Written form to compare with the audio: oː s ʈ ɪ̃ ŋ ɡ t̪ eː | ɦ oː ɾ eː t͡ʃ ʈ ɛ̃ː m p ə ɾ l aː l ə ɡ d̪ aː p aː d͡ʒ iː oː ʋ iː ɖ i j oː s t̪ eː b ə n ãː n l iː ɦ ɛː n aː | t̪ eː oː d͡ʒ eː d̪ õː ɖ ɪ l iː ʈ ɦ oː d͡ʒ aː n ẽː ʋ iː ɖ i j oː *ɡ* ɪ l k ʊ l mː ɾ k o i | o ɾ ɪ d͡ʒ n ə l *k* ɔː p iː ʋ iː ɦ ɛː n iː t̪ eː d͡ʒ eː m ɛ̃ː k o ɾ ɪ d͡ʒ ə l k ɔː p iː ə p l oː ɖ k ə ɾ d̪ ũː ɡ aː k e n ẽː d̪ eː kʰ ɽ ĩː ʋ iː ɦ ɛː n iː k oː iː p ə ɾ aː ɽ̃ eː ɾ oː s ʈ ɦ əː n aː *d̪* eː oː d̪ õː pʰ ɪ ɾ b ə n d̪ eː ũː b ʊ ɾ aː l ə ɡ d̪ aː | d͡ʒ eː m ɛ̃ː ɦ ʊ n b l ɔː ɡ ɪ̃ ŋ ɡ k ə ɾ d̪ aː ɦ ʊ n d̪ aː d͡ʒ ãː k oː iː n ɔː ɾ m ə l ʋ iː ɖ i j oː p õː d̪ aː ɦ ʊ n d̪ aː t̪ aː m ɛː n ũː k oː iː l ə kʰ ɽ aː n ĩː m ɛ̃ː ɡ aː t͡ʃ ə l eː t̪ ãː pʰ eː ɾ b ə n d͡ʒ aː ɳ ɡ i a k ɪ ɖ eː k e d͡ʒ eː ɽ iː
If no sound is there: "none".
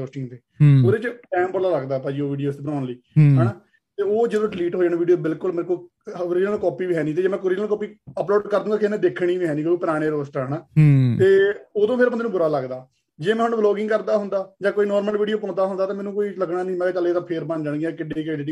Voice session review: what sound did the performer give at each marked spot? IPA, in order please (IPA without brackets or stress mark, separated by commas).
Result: b, k, t̪